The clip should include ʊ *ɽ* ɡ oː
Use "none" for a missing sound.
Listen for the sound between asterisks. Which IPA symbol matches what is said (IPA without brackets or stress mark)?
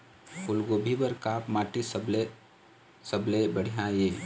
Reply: l